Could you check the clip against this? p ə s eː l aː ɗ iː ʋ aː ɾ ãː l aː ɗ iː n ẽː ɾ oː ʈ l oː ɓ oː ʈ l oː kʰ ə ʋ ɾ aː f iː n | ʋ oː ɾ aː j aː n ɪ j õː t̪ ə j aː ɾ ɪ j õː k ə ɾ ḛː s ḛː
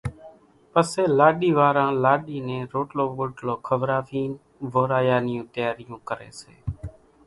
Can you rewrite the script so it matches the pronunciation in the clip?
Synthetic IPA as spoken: p ə s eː l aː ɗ iː ʋ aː ɾ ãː l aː ɗ iː n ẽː ɾ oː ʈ l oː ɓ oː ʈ l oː kʰ ə ʋ ɾ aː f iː n | ʋ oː ɾ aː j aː n ɪ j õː t̪ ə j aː ɾ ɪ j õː k ə ɾ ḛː s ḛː